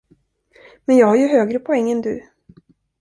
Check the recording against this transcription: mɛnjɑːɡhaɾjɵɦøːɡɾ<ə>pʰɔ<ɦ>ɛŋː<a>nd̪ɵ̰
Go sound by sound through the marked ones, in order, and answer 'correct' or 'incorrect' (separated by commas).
correct, incorrect, incorrect